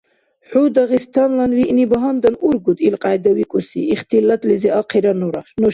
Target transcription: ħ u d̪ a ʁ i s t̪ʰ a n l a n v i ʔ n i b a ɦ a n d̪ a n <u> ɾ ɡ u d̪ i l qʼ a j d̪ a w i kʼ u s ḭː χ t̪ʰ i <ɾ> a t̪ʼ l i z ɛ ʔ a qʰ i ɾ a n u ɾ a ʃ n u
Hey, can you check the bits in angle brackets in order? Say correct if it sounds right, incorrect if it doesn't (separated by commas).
correct, incorrect